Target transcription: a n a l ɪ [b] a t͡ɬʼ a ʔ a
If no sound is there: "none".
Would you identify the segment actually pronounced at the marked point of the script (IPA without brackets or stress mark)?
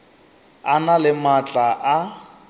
m